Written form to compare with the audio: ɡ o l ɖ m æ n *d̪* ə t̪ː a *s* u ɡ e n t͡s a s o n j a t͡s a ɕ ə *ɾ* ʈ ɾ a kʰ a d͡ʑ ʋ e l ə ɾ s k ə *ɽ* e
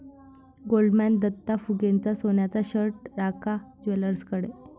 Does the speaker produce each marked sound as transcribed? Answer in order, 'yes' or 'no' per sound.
yes, no, yes, yes

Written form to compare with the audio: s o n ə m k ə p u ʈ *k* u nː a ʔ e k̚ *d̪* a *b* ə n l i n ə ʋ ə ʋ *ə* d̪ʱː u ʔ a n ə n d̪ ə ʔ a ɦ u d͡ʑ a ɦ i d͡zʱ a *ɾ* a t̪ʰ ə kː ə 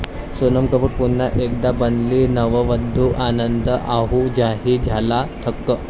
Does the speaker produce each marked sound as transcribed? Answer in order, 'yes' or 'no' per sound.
no, yes, yes, yes, no

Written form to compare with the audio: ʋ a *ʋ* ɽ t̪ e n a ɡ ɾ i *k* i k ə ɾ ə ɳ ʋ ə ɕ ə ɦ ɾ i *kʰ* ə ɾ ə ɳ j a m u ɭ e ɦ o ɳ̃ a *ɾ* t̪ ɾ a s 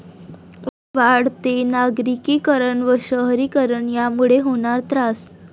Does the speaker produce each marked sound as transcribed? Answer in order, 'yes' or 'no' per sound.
no, yes, no, yes

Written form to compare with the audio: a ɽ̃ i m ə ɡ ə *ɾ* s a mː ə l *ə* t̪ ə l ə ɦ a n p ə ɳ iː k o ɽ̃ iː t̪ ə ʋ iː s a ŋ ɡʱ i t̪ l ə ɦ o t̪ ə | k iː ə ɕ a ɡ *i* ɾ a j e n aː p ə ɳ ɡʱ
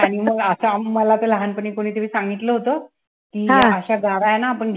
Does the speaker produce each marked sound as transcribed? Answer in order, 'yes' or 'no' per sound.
no, no, no

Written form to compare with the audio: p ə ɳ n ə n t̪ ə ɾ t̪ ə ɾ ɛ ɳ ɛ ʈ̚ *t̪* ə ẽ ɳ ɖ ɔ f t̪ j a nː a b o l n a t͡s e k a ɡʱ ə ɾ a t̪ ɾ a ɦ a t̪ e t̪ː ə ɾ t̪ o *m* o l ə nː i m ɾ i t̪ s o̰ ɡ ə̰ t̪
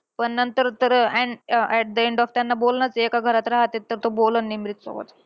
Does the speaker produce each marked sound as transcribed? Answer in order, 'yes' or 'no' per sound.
no, no

